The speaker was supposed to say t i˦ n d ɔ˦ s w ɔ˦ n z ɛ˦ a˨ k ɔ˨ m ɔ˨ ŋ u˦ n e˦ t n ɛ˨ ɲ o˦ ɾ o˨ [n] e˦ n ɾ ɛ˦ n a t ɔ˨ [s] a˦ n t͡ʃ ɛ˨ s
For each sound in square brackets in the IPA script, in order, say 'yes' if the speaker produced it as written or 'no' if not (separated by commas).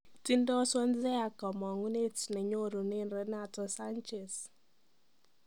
yes, yes